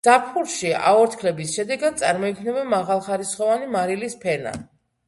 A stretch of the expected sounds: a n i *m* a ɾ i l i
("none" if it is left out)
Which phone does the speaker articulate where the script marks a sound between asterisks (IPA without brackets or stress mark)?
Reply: m